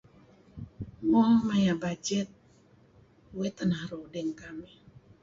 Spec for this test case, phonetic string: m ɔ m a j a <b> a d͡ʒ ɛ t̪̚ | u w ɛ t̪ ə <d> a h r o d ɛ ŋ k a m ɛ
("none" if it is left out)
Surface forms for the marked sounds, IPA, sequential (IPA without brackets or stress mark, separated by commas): b, n